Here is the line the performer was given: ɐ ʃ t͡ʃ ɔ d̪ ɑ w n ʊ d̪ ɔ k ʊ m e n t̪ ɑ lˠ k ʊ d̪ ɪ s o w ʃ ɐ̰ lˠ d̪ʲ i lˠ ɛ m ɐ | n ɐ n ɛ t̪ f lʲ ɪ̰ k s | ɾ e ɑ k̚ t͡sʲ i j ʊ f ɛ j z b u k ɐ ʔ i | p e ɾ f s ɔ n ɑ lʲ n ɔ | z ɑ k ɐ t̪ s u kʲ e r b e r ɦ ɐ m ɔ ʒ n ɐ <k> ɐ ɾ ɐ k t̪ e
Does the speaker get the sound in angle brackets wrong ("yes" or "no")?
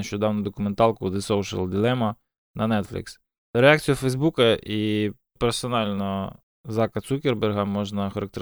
yes